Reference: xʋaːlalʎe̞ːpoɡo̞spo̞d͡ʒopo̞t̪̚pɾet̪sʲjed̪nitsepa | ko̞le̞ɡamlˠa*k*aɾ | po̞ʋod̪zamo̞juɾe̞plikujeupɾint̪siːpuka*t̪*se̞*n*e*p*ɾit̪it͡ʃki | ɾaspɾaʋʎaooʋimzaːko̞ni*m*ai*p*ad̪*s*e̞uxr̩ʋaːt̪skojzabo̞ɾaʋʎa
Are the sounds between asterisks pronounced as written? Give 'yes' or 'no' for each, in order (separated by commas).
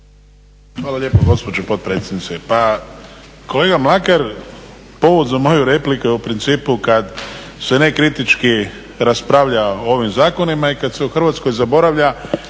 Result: yes, no, yes, no, yes, no, yes